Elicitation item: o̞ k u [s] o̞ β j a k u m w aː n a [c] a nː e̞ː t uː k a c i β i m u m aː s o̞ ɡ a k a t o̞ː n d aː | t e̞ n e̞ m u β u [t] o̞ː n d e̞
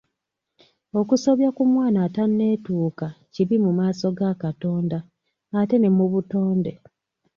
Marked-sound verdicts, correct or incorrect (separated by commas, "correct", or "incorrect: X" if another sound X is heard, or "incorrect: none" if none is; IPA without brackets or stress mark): correct, incorrect: t, correct